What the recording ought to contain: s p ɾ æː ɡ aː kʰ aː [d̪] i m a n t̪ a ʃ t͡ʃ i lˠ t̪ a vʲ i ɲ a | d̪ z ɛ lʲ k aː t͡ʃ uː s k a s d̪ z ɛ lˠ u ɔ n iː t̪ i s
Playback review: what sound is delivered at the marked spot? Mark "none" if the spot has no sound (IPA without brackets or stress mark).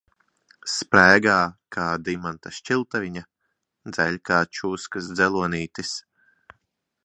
d̪